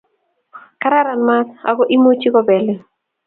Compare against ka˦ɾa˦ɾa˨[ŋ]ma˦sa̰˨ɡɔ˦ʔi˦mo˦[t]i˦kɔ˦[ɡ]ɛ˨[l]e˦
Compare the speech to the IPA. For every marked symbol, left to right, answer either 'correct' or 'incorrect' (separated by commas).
incorrect, incorrect, incorrect, correct